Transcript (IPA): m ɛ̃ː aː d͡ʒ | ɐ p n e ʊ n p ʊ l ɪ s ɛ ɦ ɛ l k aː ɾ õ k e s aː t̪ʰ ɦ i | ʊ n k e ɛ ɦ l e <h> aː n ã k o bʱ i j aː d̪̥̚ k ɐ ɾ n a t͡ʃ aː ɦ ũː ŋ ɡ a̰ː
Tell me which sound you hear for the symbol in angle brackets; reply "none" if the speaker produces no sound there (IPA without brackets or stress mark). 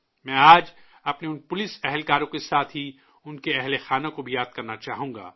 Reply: x